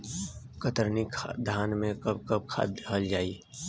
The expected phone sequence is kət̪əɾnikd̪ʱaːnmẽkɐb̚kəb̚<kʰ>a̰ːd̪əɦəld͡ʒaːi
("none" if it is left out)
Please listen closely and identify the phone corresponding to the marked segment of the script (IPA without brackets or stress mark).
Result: kʰ